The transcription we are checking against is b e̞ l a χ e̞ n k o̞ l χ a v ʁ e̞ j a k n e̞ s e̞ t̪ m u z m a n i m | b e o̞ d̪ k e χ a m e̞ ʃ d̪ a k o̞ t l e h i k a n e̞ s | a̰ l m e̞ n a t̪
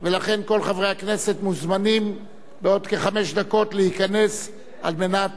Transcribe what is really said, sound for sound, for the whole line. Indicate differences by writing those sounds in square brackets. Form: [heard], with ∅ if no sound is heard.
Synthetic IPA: [v] e̞ l a χ e̞ n k o̞ l χ a v ʁ e̞ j a k n e̞ s e̞ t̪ m u z m a n i m | b e o̞ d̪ k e χ a m e̞ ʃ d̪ a k o̞ t l e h i k a n e̞ s | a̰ l m e̞ n a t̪